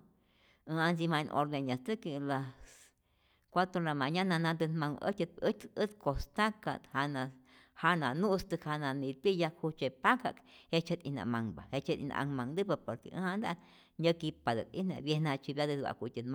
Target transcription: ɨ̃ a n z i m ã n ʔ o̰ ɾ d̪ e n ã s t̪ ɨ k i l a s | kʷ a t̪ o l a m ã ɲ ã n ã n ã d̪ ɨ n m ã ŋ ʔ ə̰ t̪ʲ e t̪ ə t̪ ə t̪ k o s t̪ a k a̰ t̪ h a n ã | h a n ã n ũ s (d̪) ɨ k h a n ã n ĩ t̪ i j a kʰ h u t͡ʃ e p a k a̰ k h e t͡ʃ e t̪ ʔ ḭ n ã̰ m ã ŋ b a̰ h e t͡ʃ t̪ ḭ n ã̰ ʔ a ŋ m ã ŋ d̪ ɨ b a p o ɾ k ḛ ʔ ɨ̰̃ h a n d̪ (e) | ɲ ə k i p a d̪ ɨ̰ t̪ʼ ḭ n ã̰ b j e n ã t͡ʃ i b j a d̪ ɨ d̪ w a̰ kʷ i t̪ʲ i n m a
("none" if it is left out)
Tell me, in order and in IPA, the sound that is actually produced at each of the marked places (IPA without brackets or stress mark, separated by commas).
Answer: t̪, a